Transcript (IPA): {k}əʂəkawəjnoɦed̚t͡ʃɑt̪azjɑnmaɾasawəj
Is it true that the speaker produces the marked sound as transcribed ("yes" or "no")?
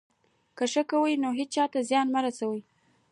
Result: yes